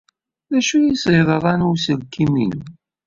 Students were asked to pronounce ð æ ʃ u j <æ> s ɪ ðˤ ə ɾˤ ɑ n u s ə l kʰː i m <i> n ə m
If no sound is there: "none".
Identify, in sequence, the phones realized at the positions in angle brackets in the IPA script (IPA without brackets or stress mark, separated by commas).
i, i